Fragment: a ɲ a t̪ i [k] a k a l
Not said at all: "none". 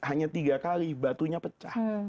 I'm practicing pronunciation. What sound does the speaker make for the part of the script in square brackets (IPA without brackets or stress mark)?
ɡ